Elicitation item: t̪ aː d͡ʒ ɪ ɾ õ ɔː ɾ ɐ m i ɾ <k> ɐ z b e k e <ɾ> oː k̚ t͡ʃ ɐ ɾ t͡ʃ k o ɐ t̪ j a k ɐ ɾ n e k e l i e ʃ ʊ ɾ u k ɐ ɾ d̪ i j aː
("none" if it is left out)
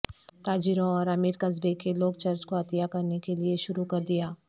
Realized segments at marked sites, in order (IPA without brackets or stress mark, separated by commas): k, l